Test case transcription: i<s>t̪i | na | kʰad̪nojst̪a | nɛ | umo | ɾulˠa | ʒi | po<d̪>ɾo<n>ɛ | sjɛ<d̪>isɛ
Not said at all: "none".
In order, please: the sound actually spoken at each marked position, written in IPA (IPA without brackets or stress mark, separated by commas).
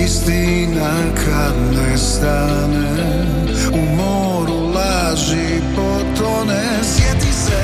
s, t̪, n, t̪